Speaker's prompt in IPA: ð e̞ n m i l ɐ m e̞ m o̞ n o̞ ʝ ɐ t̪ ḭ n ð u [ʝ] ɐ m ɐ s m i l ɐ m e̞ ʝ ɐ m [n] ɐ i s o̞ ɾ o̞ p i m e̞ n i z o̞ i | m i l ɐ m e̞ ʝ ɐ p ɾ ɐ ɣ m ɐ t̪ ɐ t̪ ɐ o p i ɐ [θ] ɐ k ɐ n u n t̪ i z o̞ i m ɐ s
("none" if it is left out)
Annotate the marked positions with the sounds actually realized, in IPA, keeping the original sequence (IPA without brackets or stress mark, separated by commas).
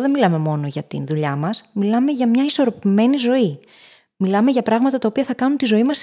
ʎ, ɲ, θ